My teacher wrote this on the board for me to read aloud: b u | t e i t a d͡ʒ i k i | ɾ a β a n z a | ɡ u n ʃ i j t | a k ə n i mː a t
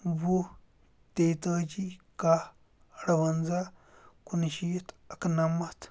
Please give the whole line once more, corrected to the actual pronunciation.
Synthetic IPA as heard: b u | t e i t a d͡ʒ i k a | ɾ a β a n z a | k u n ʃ i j t | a k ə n a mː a t